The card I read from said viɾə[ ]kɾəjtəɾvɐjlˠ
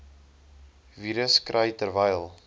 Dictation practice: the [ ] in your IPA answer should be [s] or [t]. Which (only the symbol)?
s